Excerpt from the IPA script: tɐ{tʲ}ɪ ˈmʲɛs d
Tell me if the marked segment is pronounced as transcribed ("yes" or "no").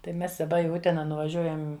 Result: no